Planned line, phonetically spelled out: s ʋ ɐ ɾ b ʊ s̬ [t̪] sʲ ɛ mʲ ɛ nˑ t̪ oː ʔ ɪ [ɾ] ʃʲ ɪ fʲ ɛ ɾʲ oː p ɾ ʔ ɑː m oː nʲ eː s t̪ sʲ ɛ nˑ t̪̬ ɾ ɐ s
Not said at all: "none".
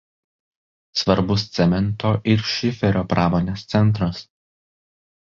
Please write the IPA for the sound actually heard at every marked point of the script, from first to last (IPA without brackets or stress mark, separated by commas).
t̪, ɾ